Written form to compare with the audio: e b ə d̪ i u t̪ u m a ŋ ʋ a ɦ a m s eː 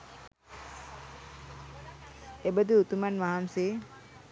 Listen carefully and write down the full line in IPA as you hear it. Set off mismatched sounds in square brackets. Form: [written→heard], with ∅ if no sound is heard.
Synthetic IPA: e b ə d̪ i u t̪ u m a [ŋ→n] ʋ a ɦ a m s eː